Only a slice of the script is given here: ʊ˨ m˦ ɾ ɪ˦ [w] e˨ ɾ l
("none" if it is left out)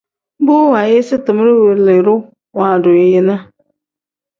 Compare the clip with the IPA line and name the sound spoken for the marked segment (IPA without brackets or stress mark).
w